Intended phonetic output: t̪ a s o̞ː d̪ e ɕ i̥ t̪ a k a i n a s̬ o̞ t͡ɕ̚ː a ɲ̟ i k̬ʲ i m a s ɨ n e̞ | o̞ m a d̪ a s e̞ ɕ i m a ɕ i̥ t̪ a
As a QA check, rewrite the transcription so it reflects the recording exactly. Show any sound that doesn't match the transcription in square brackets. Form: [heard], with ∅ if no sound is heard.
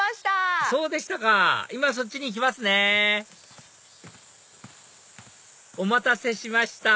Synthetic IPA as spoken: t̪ a s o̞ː d̪ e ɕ i̥ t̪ a k a i [m] a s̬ o̞ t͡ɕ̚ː [i] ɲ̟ i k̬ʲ i m a s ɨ n e̞ | o̞ m a [t̪] a s e̞ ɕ i m a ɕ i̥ t̪ a